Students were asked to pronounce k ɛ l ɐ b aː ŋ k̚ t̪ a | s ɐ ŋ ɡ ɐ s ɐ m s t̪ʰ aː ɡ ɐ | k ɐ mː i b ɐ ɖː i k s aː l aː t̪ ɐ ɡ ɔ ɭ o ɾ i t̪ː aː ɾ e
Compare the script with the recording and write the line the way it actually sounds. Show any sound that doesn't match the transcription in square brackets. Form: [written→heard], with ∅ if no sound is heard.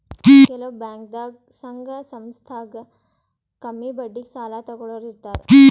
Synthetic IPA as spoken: k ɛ l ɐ b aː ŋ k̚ [t̪→d̪] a | s ɐ ŋ ɡ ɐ s ɐ m s t̪ʰ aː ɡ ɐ | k ɐ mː i b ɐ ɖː i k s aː l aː t̪ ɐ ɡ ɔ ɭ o ɾ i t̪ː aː ɾ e